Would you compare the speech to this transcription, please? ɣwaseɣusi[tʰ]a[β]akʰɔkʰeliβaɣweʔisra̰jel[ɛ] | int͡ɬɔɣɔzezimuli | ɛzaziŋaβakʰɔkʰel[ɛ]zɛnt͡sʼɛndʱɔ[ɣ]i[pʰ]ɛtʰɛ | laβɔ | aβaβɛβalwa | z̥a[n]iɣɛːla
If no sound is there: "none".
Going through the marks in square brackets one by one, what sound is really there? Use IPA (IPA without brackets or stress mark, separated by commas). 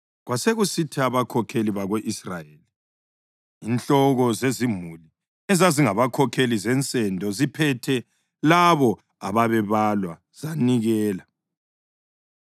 tʰ, β, i, i, z, pʰ, n